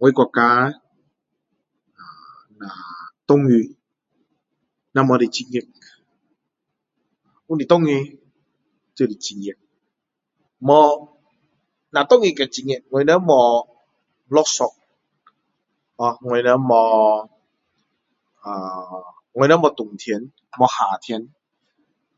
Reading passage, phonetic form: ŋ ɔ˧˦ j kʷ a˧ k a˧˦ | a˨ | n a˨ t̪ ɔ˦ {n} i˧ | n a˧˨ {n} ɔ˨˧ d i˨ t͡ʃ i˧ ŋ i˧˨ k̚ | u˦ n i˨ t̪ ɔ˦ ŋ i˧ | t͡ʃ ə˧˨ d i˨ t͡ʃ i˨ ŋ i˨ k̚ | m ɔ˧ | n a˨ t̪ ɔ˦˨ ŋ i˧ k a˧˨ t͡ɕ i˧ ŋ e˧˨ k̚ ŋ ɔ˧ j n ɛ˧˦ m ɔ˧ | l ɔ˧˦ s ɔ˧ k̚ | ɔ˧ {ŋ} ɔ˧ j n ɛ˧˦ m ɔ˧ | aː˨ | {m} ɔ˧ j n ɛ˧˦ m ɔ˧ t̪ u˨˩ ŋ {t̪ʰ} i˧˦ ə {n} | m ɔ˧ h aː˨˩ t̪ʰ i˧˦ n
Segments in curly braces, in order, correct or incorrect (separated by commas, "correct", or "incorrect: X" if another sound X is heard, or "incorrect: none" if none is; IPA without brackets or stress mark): incorrect: ŋ, incorrect: m, correct, incorrect: ŋ, correct, correct